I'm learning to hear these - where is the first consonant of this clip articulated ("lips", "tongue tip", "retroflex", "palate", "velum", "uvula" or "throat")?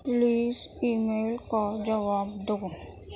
tongue tip